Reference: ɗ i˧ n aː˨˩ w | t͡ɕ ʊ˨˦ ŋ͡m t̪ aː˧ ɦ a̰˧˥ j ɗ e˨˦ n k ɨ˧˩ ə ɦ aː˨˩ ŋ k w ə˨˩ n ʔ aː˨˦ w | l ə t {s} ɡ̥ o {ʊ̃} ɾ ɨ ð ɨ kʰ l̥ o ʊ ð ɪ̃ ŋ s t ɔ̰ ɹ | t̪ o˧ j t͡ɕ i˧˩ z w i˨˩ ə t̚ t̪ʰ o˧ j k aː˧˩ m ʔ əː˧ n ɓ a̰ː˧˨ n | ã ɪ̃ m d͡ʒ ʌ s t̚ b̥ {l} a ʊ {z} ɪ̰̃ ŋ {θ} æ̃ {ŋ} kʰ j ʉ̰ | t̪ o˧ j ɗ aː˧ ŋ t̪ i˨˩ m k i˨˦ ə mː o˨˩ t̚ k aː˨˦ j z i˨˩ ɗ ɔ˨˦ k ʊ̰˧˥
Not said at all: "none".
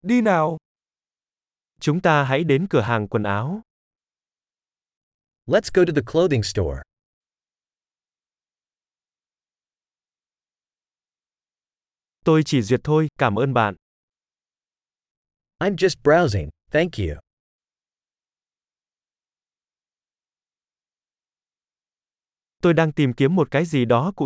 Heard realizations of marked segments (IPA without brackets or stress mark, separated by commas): s, ʊ, ɹ, z, θ, ŋ